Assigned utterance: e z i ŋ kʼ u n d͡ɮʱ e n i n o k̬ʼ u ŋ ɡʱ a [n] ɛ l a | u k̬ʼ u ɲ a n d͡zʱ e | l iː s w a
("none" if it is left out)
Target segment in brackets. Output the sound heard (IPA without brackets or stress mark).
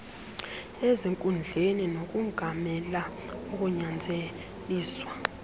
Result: m